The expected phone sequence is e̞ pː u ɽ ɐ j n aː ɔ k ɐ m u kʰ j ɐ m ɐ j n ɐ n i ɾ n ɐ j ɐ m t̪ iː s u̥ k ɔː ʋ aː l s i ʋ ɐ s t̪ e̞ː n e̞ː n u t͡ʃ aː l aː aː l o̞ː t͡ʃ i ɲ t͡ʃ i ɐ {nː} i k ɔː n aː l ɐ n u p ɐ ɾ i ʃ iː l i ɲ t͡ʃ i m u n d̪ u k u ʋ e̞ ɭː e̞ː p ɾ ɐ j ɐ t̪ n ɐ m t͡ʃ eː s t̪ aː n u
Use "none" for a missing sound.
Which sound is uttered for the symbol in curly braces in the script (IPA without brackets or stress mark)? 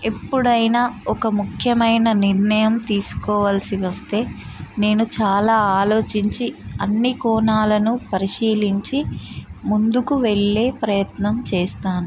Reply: nː